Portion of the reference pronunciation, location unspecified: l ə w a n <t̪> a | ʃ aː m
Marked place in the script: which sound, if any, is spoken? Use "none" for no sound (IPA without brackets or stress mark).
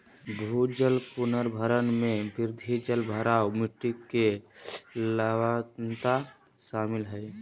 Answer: t̪